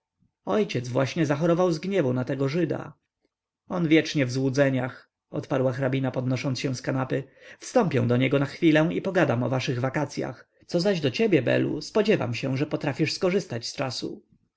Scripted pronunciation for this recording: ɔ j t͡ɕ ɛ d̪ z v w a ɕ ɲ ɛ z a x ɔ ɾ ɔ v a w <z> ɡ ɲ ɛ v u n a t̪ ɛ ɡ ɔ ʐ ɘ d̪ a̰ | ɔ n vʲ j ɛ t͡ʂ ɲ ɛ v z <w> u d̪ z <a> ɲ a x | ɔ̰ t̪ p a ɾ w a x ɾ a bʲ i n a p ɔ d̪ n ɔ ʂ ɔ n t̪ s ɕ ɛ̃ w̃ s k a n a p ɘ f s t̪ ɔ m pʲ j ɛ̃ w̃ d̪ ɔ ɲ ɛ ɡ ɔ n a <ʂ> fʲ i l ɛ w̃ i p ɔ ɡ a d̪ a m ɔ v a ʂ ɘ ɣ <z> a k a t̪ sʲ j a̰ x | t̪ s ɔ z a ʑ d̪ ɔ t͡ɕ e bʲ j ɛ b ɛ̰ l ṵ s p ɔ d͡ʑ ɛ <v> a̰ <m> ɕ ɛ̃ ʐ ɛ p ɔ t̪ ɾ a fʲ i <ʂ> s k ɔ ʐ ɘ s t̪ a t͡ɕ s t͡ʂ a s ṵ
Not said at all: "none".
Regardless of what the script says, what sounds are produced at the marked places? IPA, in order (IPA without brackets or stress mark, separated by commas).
z, w, ɛ, x, v, v, m, ʂ